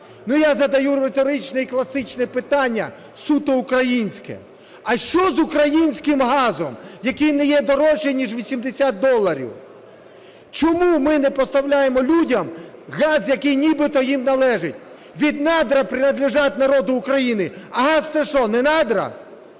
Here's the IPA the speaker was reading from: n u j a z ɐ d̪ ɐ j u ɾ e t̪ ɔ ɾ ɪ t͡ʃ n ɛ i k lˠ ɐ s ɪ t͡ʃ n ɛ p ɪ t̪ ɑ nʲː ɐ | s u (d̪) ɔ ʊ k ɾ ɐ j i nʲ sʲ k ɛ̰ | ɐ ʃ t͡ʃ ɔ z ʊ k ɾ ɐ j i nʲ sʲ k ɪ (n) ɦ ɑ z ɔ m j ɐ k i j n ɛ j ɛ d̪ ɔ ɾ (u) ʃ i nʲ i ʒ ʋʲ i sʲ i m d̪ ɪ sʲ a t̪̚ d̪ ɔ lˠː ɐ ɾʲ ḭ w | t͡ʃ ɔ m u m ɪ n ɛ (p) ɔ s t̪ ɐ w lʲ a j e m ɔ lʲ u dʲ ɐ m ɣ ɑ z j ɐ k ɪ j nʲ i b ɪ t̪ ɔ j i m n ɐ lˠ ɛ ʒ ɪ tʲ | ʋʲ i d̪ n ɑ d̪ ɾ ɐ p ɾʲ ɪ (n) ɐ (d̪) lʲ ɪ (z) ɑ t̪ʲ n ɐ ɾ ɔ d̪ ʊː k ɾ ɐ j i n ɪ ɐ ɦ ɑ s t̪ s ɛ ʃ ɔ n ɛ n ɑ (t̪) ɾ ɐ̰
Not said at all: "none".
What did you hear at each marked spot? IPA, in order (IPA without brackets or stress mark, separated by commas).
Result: t̪, m, ɔ, p, n, d̪, ʒ, d̪